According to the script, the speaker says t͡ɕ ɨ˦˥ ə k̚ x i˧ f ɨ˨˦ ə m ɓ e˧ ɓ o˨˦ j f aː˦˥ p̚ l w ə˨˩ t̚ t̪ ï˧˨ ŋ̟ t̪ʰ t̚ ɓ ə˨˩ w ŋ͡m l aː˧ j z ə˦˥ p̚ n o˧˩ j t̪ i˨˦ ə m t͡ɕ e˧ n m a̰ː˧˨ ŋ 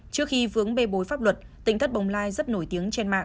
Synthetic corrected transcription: t͡ɕ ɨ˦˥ ə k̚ x i˧ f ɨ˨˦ ə ŋ ɓ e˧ ɓ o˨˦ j f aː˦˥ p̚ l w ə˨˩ t̚ t̪ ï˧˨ ŋ̟ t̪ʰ t̚ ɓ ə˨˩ w ŋ͡m l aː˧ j z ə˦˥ t̚ n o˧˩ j t̪ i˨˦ ə ŋ t͡ɕ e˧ n m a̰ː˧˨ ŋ

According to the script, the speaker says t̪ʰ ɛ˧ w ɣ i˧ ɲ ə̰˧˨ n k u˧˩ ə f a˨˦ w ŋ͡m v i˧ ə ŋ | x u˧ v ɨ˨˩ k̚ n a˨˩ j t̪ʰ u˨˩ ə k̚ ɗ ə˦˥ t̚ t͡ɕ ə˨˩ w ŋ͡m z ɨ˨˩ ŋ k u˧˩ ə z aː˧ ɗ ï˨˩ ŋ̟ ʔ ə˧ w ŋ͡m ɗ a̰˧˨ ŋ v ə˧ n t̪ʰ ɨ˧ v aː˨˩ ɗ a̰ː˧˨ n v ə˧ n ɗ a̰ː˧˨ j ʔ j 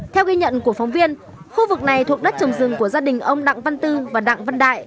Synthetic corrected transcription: t̪ʰ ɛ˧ w ɣ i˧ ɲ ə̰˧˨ n k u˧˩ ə f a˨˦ w ŋ͡m v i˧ ə n | x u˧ v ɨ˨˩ k̚ n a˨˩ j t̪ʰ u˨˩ ə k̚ ɗ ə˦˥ t̚ t͡ɕ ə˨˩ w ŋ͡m z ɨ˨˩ ŋ k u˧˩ ə z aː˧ ɗ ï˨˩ ŋ̟ ʔ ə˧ w ŋ͡m ɗ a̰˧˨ ŋ v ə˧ n t̪ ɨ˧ v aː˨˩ ɗ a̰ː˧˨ ŋ v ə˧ n ɗ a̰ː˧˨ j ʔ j

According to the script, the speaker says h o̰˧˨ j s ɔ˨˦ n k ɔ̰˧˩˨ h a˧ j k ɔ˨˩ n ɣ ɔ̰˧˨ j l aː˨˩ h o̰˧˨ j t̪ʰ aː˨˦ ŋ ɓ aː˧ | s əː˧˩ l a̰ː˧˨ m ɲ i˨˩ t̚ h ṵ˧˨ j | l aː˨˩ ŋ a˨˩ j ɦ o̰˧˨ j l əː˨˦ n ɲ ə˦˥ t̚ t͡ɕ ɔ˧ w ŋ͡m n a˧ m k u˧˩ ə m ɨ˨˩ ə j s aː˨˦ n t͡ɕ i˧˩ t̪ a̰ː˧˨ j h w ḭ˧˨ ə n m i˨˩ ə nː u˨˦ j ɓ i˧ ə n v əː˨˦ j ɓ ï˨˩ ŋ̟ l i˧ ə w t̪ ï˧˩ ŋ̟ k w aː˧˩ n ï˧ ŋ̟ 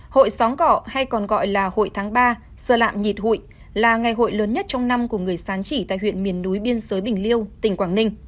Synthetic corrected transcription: h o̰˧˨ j s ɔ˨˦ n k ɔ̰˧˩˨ h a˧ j k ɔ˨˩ n ɣ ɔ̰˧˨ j l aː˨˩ h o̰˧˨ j t̪ʰ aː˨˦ ŋ ɓ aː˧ | s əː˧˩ l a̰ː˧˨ m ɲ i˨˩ t̚ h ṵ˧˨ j | l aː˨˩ ŋ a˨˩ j ɦ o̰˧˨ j l əː˨˦ n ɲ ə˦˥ t̚ t͡ɕ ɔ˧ w ŋ͡m n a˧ m k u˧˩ ə ŋ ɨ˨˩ ə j s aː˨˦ n t͡ɕ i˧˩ t̪ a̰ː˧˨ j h w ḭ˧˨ ə n m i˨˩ ə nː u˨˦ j ɓ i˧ ə n z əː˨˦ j ɓ ï˨˩ ŋ̟ l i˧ ə w t̪ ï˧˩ ŋ̟ k w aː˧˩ n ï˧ ŋ̟

